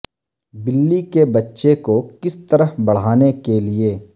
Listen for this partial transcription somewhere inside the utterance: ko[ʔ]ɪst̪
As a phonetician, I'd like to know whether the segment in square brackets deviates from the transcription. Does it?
yes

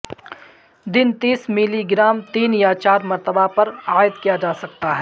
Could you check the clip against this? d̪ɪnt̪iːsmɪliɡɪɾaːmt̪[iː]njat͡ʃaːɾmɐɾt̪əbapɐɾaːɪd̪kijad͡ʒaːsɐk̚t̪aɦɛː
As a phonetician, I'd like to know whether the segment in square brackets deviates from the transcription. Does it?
no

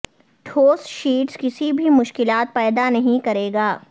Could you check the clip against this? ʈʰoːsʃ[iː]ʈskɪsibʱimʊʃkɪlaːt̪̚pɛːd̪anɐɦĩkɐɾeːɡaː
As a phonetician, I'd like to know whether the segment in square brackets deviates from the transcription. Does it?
no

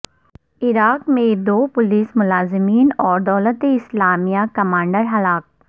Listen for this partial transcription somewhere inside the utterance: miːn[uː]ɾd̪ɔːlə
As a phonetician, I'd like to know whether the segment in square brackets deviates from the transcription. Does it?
yes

